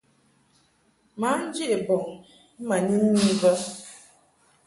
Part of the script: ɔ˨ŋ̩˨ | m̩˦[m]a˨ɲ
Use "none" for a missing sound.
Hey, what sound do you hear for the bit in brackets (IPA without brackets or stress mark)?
m